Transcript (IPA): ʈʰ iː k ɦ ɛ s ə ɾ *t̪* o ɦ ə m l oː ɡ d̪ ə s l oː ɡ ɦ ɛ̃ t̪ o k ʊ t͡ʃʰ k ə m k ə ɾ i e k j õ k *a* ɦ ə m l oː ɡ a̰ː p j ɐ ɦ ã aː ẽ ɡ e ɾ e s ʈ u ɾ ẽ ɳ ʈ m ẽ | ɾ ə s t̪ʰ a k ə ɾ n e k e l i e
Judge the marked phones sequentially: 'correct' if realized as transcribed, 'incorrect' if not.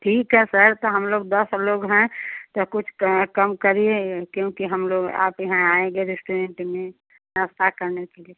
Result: correct, incorrect

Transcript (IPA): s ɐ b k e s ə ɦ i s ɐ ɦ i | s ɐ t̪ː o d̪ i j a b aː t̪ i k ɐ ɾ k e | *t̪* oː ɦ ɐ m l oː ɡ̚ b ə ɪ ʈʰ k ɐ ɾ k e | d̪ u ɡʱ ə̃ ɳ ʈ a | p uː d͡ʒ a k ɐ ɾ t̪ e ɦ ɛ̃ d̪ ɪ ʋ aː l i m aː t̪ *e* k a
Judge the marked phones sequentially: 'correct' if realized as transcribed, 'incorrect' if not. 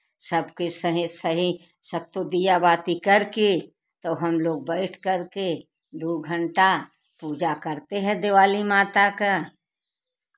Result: correct, incorrect

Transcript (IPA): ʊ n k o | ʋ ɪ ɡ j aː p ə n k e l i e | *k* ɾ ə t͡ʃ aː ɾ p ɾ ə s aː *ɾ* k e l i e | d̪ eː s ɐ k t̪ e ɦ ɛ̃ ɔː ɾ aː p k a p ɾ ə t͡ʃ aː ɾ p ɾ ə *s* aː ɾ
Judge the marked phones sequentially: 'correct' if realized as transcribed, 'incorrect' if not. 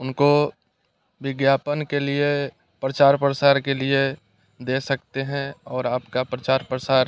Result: incorrect, correct, correct

